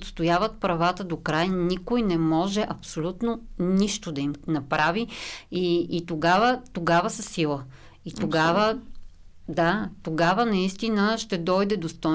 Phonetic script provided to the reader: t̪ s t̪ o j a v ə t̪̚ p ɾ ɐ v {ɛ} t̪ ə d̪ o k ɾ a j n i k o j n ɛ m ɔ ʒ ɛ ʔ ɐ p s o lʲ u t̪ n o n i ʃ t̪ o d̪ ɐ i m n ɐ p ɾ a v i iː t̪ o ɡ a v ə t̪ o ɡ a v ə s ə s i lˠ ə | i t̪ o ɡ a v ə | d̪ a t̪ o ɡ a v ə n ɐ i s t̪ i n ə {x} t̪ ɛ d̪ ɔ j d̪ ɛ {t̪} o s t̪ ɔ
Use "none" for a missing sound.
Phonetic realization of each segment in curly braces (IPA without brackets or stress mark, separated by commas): a, ʃ, d̪